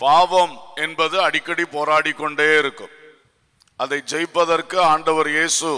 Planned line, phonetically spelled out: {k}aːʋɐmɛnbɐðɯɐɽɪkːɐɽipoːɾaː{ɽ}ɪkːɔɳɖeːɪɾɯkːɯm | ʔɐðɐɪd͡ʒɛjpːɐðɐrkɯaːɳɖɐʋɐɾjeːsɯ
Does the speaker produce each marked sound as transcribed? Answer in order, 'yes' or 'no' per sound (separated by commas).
no, yes